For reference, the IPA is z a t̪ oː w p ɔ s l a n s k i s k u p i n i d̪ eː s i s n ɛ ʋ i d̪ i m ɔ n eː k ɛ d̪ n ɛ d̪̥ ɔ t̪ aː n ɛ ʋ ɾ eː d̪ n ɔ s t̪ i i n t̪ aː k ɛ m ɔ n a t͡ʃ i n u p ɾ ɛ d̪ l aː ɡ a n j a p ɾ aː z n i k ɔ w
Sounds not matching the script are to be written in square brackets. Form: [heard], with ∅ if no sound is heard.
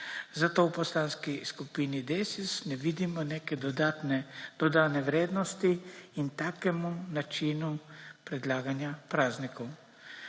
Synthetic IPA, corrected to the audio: z a t̪ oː w p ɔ s l a n s k i s k u p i n i d̪ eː s i s n ɛ ʋ i d̪ i m ɔ n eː k ɛ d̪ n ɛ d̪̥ ɔ [d̪] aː n ɛ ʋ ɾ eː d̪ n ɔ s t̪ i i n t̪ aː k ɛ m [u] n a t͡ʃ i n u p ɾ ɛ d̪ l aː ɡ a n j a p ɾ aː z n i k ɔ w

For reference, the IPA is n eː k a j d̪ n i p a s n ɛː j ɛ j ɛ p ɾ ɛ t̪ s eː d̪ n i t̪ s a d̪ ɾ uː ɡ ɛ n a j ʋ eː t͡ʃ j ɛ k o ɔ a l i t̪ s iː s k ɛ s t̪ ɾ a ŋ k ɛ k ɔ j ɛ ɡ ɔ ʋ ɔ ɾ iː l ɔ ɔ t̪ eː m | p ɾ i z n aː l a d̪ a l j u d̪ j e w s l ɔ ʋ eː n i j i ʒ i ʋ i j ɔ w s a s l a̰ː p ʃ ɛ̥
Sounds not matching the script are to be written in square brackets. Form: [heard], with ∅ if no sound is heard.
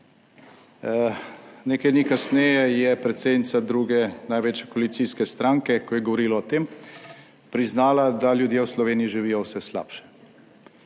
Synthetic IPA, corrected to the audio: n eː k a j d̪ n i [k] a s n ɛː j ɛ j ɛ p ɾ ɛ t̪ s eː d̪ n i t̪ s a d̪ ɾ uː ɡ ɛ n a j ʋ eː t͡ʃ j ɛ k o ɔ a l i t̪ s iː s k ɛ s t̪ ɾ a ŋ k ɛ k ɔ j ɛ ɡ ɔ ʋ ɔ ɾ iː l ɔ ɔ t̪ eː m | p ɾ i z n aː l a d̪ a l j u d̪ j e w s l ɔ ʋ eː n i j i ʒ i ʋ i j ɔ w s [ɛ] s l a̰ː p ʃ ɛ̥

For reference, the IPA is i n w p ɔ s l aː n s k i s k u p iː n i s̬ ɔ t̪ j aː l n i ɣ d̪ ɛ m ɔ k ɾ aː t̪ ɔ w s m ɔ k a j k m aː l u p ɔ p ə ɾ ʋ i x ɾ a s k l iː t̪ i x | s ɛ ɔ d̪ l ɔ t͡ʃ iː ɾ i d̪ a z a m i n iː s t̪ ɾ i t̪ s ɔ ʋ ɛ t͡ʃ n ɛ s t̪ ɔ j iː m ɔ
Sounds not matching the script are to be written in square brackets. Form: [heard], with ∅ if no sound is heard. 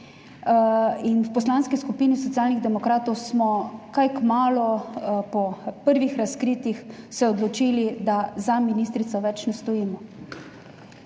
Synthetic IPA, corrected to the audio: i n w p ɔ s l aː n s k i s k u p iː n i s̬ ɔ t̪ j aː l n i ɣ d̪ ɛ m ɔ k ɾ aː t̪ ɔ w s m ɔ k a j k m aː l [ɔ] p ɔ p ə ɾ ʋ i x ɾ a s k [ɾ] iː t̪ i x | s ɛ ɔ d̪ l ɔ t͡ʃ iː [l] i d̪ a z a m i n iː s t̪ ɾ i t̪ s ɔ ʋ ɛ t͡ʃ n ɛ s t̪ ɔ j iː m ɔ

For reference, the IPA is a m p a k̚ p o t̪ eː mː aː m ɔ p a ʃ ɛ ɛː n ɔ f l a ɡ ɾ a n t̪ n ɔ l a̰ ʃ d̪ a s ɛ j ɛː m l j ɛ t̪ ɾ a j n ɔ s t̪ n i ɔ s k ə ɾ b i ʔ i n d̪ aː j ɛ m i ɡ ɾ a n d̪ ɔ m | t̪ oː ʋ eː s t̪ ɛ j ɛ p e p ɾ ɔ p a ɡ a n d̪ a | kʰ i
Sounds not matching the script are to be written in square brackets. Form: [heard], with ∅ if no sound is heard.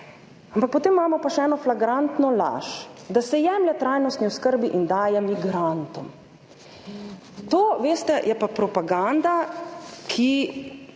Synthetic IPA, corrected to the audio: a m p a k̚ p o t̪ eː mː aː m ɔ p a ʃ ɛ ɛː n ɔ f l a ɡ ɾ a n t̪ n ɔ l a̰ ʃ d̪ a s ɛ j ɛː m l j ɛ t̪ ɾ a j n ɔ s t̪ n i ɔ s k ə ɾ b i ʔ i n d̪ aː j ɛ m i ɡ ɾ a n [t̪] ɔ m | t̪ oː ʋ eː s t̪ ɛ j ɛ p [a] p ɾ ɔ p a ɡ a n d̪ a | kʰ i

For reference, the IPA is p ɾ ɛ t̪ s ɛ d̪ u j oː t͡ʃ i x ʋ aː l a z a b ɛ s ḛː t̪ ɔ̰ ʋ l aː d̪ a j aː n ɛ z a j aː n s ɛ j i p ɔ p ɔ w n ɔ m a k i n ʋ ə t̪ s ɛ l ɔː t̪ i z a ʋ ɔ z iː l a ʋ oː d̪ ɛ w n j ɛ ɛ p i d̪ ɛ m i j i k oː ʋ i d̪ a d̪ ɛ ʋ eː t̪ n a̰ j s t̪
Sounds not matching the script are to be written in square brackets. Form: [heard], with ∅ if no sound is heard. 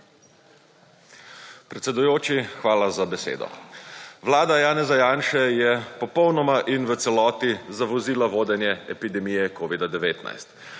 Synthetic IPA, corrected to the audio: p ɾ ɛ t̪ s ɛ d̪ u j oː t͡ʃ i x ʋ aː l a z a b ɛ s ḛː [d̪] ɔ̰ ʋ l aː d̪ a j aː n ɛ z a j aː n [ʃ] ɛ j [ɛ] p ɔ p ɔ w n ɔ m a [ʔ] i n ʋ ə t̪ s ɛ l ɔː t̪ i z a ʋ ɔ z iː l a ʋ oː d̪ ɛ [∅] n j ɛ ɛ p i d̪ ɛ m i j [ɛ] k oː ʋ i d̪ a d̪ ɛ ʋ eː t̪ n a̰ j s t̪

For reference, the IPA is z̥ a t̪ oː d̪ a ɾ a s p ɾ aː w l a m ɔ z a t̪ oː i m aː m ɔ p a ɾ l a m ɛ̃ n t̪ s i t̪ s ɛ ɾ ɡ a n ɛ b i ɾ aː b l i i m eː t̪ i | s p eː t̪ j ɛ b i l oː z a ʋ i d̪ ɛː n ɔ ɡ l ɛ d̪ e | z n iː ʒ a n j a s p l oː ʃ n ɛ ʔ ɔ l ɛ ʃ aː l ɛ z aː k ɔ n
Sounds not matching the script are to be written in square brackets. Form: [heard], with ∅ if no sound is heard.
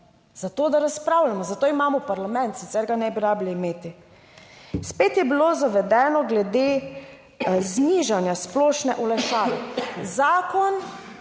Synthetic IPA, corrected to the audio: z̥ a t̪ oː d̪ a ɾ a s p ɾ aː w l a m ɔ z a t̪ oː i m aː m ɔ p a ɾ l a m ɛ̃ n t̪ s i t̪ s ɛ ɾ ɡ a n ɛ b i ɾ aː b l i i m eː t̪ i | s p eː t̪ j ɛ b i l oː z a ʋ [ɛ] d̪ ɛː n ɔ ɡ l ɛ d̪ e | z n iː ʒ a n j a s p l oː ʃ n ɛ ʔ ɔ l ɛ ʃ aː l ɛ z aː k ɔ n

